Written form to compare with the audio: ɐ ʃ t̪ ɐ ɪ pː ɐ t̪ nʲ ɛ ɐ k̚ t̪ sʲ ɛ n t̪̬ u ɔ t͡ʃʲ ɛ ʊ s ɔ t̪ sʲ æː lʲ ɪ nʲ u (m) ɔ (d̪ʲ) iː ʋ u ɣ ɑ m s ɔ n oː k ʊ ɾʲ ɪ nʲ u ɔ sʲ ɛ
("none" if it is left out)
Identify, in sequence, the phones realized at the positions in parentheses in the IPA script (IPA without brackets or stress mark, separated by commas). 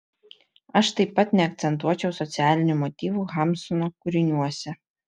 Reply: m, t̪ʲ